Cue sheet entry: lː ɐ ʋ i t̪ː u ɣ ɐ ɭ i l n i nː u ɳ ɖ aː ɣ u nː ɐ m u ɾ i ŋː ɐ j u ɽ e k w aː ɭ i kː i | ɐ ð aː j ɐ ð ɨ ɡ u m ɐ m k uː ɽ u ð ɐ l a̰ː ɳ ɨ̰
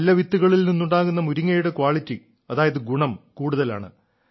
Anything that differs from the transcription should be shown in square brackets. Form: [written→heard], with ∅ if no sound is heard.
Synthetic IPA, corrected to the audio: lː ɐ ʋ i t̪ː u ɣ ɐ ɭ i l n i nː u ɳ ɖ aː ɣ u nː ɐ m u ɾ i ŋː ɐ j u ɽ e k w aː ɭ i [kː→tː] i | ɐ ð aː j ɐ ð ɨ ɡ u [m→ɳ] ɐ m k uː ɽ u ð ɐ l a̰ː ɳ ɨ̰